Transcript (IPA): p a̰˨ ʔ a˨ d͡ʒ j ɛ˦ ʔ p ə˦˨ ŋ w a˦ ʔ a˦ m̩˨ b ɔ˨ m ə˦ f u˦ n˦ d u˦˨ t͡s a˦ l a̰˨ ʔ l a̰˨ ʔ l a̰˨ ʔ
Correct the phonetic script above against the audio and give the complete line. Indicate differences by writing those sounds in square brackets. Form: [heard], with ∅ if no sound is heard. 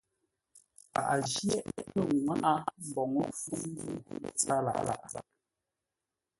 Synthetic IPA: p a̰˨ ʔ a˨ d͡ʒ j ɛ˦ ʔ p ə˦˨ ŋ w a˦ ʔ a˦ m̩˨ b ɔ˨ [ŋ] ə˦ f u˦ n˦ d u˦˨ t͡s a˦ l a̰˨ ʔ l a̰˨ ʔ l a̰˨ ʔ